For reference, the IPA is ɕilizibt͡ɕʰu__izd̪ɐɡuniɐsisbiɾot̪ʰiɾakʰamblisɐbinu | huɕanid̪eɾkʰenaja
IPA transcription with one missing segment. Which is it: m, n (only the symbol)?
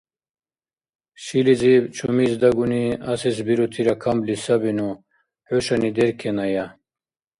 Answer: m